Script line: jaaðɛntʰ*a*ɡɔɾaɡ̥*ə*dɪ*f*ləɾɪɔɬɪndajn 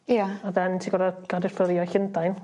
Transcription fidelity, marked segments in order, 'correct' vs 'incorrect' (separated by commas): incorrect, incorrect, correct